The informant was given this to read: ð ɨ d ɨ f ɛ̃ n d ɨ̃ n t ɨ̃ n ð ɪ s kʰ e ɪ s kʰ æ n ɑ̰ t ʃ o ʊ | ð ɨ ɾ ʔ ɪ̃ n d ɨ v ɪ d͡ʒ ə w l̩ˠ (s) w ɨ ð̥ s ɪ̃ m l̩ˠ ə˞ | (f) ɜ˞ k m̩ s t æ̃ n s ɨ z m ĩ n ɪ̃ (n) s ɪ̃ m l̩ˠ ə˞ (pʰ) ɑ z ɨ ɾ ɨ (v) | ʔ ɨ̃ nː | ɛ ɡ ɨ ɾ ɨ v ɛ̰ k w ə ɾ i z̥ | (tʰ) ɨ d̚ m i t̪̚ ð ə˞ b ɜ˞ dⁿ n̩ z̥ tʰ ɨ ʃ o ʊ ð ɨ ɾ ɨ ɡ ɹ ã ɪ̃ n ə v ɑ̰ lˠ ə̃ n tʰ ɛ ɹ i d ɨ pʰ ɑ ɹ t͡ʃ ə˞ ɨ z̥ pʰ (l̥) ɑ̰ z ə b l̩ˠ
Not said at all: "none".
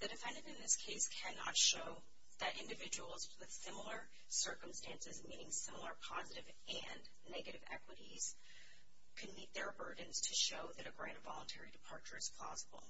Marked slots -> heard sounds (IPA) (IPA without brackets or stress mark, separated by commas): z, s, ŋ, pʰ, v, kʰ, l̥